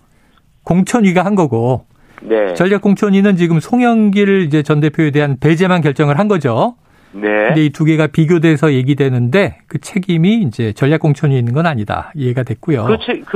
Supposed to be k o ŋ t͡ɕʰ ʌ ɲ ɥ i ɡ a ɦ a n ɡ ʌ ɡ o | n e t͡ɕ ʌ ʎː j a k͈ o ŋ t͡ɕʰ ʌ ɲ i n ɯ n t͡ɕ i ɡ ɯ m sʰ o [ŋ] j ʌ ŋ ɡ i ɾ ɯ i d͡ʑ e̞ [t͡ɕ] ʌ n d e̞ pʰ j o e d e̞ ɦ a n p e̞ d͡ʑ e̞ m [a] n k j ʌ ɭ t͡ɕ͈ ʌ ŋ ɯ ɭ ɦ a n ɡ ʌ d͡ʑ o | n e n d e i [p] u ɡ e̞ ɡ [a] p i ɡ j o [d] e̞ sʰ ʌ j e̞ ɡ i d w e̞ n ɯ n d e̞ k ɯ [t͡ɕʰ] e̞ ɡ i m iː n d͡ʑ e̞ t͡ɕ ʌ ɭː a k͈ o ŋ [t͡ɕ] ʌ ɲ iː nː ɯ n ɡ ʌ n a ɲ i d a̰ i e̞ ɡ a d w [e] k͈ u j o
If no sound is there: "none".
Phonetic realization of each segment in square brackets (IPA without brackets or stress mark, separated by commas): ŋ, t͡ɕ, a, t, a, d, t͡ɕʰ, t͡ɕʰ, e